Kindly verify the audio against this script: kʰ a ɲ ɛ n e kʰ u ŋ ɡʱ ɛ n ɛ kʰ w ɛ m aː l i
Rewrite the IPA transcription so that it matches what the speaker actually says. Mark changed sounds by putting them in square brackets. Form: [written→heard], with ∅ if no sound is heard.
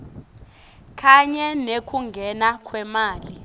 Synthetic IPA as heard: kʰ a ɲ ɛ n e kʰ u ŋ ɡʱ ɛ n [ɛ→a] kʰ w ɛ m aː l i